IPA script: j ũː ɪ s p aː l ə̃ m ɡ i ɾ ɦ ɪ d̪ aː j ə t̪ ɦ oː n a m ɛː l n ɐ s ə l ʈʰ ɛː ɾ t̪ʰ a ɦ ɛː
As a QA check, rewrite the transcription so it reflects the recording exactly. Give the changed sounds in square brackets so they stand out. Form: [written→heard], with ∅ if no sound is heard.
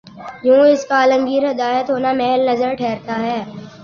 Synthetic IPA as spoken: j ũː ɪ s [p→k] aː l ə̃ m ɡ [i→iː] ɾ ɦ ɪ d̪ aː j ə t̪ ɦ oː n a m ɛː l n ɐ [s→z] ə [l→ɾ] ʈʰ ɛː ɾ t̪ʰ a ɦ ɛː